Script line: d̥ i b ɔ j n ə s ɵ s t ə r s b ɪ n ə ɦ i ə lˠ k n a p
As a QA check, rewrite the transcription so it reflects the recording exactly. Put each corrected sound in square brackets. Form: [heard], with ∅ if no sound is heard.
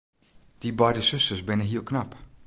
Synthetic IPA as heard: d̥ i b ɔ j [d] ə s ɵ s t ə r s b ɪ n ə ɦ i ə lˠ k n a p